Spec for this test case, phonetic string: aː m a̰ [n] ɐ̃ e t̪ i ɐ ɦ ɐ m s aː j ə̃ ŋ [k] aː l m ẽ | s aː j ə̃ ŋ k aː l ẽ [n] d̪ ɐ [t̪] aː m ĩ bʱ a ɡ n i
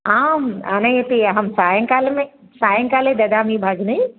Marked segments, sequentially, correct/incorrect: correct, correct, incorrect: none, incorrect: d̪

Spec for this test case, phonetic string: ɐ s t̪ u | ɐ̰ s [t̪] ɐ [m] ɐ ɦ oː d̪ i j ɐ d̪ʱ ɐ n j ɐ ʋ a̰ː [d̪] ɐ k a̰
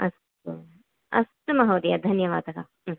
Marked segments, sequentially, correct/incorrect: correct, correct, correct

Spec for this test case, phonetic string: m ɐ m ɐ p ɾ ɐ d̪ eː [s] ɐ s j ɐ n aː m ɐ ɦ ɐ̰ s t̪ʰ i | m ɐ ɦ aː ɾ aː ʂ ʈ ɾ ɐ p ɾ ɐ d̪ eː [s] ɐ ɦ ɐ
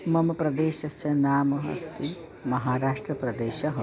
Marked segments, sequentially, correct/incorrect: incorrect: ʃ, incorrect: ʃ

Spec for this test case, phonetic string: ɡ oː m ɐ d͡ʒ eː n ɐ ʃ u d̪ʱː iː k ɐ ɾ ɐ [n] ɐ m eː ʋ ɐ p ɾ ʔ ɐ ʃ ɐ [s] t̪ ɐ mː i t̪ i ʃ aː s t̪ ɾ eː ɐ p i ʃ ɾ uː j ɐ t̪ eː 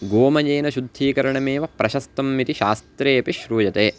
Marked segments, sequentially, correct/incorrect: incorrect: ɳ, correct

